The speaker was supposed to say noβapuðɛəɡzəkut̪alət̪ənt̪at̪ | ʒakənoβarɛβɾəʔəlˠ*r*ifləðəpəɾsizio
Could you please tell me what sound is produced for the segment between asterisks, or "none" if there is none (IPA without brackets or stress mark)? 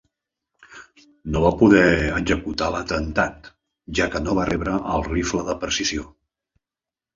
r